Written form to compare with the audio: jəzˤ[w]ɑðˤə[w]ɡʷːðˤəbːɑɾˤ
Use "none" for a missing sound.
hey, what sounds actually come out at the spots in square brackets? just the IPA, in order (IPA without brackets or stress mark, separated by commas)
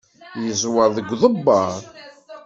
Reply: w, none